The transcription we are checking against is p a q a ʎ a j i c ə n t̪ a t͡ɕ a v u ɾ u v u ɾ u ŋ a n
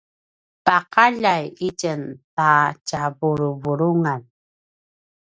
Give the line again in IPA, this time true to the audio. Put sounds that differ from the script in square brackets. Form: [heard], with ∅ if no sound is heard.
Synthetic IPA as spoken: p a q a ʎ a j i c ə n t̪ a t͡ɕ a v u ɾ u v u ɾ u ŋ a n